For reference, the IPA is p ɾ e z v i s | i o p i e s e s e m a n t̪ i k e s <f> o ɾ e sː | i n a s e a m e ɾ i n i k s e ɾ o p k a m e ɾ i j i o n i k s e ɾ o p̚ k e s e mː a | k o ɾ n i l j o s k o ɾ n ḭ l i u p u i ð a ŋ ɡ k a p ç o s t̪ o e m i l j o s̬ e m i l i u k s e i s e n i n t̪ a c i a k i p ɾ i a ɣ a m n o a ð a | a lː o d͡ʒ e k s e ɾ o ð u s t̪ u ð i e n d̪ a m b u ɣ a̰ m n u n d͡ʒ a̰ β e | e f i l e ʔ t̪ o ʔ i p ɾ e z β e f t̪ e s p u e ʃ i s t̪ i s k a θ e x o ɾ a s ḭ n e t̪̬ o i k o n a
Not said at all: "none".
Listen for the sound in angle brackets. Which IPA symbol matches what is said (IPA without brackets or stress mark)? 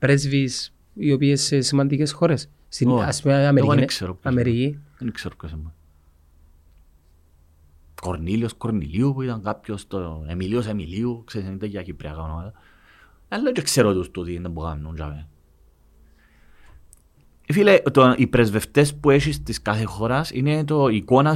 x